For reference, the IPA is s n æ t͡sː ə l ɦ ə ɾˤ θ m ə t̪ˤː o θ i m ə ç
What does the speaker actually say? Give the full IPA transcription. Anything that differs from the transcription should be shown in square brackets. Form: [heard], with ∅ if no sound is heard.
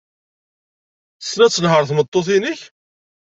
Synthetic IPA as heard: s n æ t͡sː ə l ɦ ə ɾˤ θ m ə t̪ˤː o θ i [n] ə ç